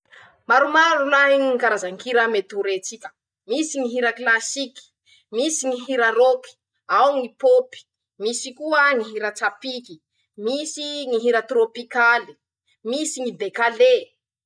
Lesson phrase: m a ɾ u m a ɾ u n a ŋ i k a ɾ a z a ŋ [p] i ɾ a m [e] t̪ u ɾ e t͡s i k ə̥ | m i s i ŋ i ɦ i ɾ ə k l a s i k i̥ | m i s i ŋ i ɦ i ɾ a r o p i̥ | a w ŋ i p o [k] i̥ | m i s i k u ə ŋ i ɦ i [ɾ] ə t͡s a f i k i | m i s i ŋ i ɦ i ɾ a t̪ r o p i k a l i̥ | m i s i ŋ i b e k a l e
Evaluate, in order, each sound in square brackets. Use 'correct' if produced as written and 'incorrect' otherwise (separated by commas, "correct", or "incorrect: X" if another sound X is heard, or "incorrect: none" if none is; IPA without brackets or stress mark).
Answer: incorrect: k, correct, incorrect: p, correct